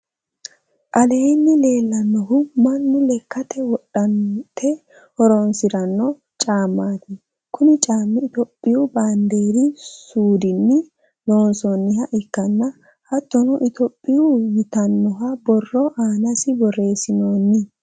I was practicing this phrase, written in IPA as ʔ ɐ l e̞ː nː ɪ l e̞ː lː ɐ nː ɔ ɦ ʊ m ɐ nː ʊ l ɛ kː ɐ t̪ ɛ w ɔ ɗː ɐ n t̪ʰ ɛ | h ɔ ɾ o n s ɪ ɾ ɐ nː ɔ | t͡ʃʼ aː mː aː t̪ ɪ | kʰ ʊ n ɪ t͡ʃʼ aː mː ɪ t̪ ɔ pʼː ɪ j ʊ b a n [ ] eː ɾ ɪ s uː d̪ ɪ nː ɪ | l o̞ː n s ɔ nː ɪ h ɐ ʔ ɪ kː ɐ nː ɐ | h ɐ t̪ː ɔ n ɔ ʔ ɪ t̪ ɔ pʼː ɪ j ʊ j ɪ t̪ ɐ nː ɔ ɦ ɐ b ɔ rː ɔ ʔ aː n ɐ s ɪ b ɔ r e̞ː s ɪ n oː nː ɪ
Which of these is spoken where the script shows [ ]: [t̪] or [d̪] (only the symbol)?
d̪